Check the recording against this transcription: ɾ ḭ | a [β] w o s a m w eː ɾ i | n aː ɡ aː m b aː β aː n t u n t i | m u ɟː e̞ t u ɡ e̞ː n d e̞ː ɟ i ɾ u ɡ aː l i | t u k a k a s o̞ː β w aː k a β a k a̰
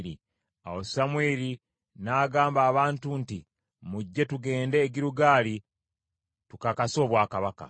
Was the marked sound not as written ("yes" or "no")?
yes